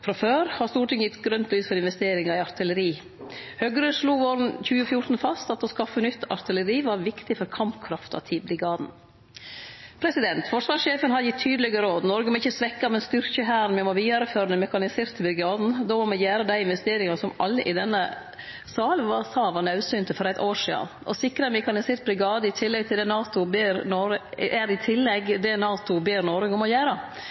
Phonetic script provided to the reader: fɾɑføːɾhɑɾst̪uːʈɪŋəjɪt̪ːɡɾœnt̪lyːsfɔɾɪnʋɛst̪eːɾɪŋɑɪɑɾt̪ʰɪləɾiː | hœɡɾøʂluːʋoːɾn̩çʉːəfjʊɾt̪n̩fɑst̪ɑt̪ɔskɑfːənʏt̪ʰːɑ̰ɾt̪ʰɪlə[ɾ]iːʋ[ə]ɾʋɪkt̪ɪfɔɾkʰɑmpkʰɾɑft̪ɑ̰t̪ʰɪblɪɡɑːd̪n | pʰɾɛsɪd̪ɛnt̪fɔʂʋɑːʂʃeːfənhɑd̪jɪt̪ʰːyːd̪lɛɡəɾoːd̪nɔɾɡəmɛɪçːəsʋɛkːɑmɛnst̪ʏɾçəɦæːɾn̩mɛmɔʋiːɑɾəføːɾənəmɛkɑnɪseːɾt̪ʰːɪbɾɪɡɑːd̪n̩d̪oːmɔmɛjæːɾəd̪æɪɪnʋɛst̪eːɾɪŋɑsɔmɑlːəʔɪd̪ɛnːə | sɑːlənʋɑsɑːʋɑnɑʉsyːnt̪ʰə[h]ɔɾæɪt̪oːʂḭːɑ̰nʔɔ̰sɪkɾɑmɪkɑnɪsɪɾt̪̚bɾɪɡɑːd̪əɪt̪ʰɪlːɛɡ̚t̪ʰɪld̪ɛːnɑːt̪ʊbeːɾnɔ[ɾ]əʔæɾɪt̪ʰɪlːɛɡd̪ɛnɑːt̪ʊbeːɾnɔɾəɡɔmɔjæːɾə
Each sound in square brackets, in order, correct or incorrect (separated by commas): correct, incorrect, incorrect, correct